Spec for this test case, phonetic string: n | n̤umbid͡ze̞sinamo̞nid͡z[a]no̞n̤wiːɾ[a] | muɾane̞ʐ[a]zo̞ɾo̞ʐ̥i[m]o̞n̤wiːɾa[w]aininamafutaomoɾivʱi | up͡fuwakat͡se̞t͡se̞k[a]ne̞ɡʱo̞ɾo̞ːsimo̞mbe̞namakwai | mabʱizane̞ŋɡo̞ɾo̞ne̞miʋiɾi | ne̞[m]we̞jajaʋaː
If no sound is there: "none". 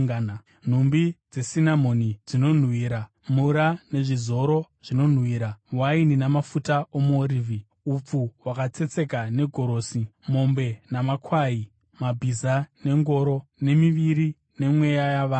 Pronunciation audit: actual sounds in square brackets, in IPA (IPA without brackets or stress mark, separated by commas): i, a, i, n, w, a, m